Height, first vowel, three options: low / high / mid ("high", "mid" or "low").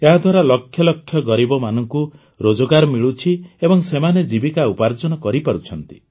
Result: mid